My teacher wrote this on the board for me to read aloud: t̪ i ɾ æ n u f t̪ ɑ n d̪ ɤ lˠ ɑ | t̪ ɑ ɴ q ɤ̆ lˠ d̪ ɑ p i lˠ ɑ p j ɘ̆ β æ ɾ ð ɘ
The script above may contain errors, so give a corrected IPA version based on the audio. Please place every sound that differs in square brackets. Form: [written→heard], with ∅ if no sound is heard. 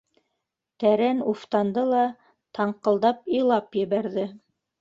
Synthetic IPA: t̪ [i→æ] ɾ æ n u f t̪ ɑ n d̪ ɤ lˠ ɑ | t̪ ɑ ɴ q ɤ̆ lˠ d̪ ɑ p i lˠ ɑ p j ɘ̆ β æ ɾ ð ɘ